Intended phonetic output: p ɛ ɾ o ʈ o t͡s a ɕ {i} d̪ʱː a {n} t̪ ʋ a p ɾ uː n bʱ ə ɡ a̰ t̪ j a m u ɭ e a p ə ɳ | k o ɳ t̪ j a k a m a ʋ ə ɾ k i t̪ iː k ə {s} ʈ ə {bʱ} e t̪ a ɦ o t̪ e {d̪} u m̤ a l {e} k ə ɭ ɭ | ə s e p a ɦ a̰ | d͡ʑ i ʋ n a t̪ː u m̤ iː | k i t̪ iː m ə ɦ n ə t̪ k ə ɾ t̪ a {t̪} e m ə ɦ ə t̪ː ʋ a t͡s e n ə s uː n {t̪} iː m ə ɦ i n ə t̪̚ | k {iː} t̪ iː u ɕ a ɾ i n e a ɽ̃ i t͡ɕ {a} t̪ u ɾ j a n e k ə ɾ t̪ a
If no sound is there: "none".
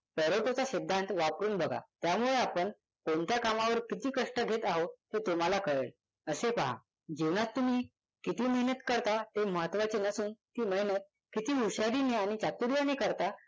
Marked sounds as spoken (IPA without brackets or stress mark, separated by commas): i, n, ʂ, ɡʱ, t̪, a, t̪, t̪, i, a